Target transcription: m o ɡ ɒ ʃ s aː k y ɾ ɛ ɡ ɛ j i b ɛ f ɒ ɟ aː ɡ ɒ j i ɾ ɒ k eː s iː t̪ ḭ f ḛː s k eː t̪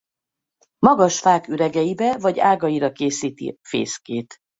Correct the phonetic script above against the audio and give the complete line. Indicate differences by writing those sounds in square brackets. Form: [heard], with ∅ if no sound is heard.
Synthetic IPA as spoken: m [ɒ] ɡ ɒ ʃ [f] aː k y ɾ ɛ ɡ ɛ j i b ɛ [v] ɒ ɟ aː ɡ ɒ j i ɾ ɒ k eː s iː t̪ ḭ f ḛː s k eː t̪

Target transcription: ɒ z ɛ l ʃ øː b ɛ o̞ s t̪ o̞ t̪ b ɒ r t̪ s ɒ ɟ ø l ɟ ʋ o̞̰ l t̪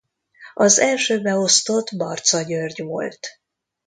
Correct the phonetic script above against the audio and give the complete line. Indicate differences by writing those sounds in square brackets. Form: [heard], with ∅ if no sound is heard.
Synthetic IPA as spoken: ɒ z ɛ l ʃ øː b ɛ o̞ s t̪ o̞ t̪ b ɒ r t̪ s ɒ ɟ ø [r] ɟ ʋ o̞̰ l t̪

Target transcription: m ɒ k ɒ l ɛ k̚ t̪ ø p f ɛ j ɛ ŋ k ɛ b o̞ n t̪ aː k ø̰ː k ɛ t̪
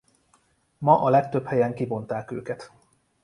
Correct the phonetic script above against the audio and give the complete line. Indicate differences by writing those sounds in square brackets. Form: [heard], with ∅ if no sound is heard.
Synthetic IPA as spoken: m ɒ [ʔ] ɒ l ɛ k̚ t̪ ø p [h] ɛ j ɛ ŋ k [i] b o̞ n t̪ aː k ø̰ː k ɛ t̪

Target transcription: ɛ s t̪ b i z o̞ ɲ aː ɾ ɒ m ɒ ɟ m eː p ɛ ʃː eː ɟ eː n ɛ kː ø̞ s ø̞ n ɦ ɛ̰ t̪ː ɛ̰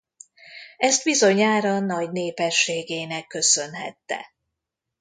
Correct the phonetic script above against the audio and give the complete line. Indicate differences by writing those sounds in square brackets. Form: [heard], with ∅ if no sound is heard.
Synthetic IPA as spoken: ɛ s t̪ b i z o̞ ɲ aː ɾ ɒ [n] ɒ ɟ [n] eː p ɛ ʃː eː [ɡ] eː n ɛ kː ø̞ s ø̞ n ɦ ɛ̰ t̪ː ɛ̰

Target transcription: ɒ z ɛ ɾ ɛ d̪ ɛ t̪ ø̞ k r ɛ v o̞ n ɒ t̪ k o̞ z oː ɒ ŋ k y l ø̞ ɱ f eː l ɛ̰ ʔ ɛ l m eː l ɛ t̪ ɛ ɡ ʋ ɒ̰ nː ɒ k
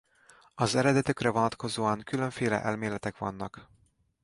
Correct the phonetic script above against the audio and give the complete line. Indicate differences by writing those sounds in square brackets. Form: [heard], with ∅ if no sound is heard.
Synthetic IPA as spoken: ɒ z ɛ ɾ ɛ d̪ ɛ t̪ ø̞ k r ɛ v o̞ n ɒ t̪ k o̞ z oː ɒ ŋ k y l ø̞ ɱ f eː l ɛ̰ ʔ ɛ l m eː l ɛ t̪ ɛ [k] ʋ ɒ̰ nː ɒ k

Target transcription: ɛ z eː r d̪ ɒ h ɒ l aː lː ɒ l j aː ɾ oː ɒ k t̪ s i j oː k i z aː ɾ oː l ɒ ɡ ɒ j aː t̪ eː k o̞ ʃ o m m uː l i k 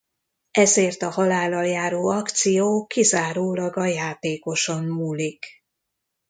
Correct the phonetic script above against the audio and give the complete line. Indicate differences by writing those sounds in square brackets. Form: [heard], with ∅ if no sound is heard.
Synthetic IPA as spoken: ɛ z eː r [t̪] ɒ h ɒ l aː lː ɒ l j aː ɾ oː ɒ k t̪ s i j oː k i z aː ɾ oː l ɒ ɡ ɒ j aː t̪ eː k o̞ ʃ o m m uː l i k

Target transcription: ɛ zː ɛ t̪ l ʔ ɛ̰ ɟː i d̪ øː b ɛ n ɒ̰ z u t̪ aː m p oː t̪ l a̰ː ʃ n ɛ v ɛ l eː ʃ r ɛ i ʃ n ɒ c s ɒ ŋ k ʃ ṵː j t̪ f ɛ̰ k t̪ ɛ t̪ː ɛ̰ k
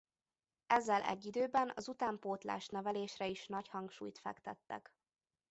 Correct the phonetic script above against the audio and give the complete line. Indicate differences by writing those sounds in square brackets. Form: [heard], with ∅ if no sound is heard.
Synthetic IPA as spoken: ɛ zː ɛ [∅] l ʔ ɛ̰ ɟː i d̪ øː b ɛ n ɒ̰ z u t̪ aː m p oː t̪ l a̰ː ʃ n ɛ v ɛ l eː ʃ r ɛ i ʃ n ɒ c [h] ɒ ŋ k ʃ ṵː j t̪ f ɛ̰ k t̪ ɛ t̪ː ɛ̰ k

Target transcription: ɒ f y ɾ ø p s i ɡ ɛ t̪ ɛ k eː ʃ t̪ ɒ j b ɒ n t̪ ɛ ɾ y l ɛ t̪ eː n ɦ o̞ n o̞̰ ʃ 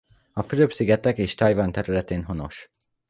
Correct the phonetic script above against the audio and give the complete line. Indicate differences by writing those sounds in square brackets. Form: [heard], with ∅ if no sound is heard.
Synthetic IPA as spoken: ɒ f y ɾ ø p s i ɡ ɛ t̪ ɛ k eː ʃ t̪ ɒ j [v] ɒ n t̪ ɛ ɾ y l ɛ t̪ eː n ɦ o̞ n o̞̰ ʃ

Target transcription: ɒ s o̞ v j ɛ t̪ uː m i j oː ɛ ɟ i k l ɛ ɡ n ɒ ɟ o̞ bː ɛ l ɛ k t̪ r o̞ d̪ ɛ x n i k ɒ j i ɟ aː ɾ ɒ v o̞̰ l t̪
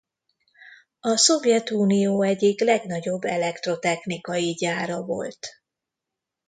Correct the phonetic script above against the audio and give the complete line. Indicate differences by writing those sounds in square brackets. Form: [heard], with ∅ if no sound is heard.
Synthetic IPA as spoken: ɒ s o̞ v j ɛ t̪ uː [n] i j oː ɛ ɟ i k l ɛ ɡ n ɒ ɟ o̞ bː ɛ l ɛ k t̪ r o̞ [t̪] ɛ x n i k ɒ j i ɟ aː ɾ ɒ v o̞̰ l t̪

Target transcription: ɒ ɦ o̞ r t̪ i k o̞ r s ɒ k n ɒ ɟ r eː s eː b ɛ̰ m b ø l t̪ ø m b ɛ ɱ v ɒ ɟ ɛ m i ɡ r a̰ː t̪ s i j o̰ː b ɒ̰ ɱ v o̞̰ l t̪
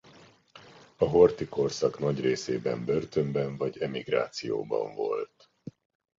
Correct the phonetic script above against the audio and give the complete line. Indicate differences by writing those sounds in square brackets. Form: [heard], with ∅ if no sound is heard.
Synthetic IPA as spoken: ɒ ɦ o̞ r t̪ i k o̞ r s ɒ k n ɒ ɟ r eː s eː b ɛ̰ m b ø [r] t̪ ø m b ɛ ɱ v ɒ ɟ ɛ m i ɡ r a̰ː t̪ s i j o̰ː b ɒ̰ ɱ v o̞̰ l t̪

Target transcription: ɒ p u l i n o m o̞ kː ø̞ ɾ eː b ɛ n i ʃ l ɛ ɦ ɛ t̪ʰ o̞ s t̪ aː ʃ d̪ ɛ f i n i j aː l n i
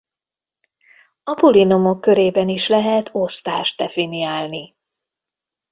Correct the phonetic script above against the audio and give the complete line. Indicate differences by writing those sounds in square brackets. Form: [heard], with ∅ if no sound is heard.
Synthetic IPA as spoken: ɒ p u l i n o m o̞ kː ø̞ ɾ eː b ɛ n i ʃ l ɛ ɦ ɛ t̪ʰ o̞ s t̪ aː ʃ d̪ ɛ f i n i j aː l n i

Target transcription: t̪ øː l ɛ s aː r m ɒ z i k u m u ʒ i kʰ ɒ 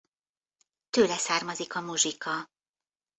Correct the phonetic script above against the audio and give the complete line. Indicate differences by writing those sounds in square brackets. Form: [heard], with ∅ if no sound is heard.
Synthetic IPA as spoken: t̪ øː l ɛ s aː r m ɒ z i k [ɒ] m u ʒ i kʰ ɒ

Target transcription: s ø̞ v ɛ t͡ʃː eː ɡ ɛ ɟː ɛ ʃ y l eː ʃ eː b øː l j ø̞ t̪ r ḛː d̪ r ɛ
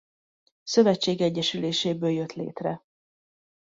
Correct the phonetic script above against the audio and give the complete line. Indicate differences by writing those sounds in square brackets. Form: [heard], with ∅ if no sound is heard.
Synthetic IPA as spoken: s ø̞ v ɛ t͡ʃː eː ɡ ɛ ɟː ɛ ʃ y l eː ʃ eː b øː l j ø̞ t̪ [l] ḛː [t̪] r ɛ

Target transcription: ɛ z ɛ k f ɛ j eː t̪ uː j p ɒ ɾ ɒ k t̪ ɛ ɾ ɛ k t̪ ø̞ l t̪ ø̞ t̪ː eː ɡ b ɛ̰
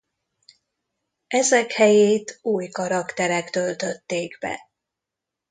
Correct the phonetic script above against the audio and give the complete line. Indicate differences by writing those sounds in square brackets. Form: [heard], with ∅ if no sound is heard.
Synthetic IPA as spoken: ɛ z ɛ k [h] ɛ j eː t̪ uː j [k] ɒ ɾ ɒ k t̪ ɛ ɾ ɛ k t̪ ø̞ l t̪ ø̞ t̪ː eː ɡ b ɛ̰

